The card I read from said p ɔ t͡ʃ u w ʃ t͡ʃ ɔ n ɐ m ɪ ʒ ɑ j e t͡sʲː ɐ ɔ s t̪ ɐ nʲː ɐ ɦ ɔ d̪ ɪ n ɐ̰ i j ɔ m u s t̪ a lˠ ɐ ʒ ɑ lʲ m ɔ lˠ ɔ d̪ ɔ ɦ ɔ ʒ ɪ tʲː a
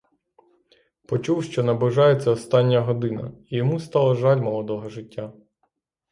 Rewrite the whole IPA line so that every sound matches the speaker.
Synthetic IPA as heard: p ɔ t͡ʃ u w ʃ t͡ʃ ɔ n ɐ b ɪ ʒ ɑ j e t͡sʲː ɐ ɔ s t̪ ɑ nʲː ɐ ɦ ɔ d̪ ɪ n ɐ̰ i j ɔ m u s t̪ ɑ lˠ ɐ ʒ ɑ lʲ m ɔ lˠ ɔ d̪ ɔ ɦ ɔ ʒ ɪ tʲː a